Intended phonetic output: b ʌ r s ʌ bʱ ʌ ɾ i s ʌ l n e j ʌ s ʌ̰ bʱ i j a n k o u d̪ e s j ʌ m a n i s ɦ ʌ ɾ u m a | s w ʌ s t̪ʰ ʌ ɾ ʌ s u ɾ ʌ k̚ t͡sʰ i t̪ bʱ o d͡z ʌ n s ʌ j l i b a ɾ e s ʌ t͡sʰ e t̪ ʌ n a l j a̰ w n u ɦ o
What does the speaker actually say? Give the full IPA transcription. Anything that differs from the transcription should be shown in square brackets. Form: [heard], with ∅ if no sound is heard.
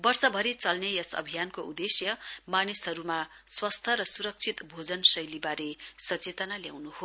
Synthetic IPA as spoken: b ʌ r s ʌ bʱ ʌ ɾ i [t͡s] ʌ l n e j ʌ s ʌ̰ bʱ i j a n k o u d̪ e s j ʌ m a n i s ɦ ʌ ɾ u m a | s w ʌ s t̪ʰ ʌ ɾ ʌ s u ɾ ʌ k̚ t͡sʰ i t̪ bʱ o d͡z ʌ n s ʌ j l i b a ɾ e s ʌ [t͡s] e t̪ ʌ n a l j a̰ w n u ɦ o